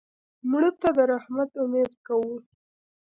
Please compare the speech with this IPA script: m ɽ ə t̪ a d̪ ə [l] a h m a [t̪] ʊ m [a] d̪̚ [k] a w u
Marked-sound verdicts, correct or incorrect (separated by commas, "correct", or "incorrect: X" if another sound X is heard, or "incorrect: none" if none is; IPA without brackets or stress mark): incorrect: ɾ, correct, incorrect: e, correct